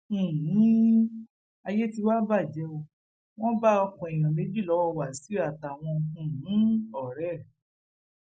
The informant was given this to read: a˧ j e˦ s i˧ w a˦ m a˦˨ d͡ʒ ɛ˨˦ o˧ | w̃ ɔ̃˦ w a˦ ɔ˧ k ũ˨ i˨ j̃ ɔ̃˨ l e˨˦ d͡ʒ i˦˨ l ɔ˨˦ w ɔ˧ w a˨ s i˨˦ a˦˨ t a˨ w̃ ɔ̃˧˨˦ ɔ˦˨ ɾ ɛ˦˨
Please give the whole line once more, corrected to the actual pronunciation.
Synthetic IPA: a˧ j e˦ t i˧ w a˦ b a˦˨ d͡ʒ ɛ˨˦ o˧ | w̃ ɔ̃˦ b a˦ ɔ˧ k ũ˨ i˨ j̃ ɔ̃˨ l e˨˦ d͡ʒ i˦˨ l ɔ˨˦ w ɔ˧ w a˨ s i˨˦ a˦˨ t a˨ w̃ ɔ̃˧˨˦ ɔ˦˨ ɾ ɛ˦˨